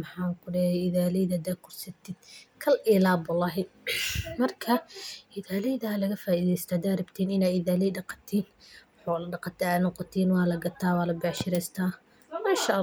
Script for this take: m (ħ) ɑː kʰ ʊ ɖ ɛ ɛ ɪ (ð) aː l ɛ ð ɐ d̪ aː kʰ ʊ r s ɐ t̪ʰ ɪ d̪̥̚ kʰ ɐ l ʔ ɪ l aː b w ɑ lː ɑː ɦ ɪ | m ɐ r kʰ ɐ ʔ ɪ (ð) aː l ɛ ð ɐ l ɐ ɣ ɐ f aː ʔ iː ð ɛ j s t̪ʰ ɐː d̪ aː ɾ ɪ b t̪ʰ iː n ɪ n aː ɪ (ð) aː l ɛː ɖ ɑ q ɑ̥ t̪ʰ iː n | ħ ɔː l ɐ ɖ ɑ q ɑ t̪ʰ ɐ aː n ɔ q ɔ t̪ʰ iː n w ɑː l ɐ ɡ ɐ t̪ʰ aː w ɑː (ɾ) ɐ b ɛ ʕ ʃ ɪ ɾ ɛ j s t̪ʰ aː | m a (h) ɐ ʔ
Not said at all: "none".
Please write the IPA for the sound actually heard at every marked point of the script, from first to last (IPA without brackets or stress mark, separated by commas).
ħ, ð, ð, ð, l, ʃ